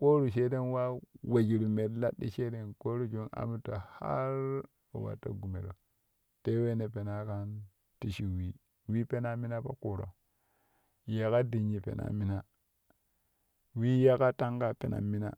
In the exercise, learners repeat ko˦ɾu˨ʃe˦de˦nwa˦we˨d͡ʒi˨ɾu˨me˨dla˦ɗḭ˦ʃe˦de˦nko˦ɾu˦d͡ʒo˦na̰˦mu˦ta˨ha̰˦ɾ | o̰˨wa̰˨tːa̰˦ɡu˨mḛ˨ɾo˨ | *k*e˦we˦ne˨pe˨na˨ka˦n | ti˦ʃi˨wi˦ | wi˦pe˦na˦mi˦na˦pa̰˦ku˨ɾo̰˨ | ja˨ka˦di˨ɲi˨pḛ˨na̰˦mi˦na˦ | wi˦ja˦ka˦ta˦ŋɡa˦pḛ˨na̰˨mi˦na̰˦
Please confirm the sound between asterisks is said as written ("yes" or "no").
no